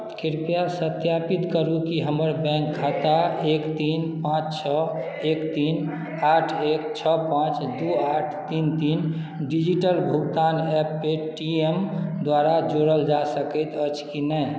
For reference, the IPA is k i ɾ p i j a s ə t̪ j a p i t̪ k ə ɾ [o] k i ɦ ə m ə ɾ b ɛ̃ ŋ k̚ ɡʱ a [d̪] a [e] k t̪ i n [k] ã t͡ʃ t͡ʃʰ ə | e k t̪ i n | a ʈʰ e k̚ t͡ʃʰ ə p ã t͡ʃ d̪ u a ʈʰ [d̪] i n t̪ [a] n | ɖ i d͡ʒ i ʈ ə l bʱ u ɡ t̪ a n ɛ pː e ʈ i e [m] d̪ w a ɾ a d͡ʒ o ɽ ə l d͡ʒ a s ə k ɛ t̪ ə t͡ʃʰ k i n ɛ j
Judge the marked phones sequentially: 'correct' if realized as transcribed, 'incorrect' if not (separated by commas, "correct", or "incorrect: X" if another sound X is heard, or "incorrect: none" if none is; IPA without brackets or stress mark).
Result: incorrect: u, incorrect: t̪, correct, incorrect: p, incorrect: t̪, incorrect: i, correct